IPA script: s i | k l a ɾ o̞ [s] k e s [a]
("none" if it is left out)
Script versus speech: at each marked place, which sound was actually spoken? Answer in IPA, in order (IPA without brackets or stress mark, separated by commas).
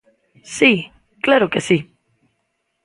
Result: none, i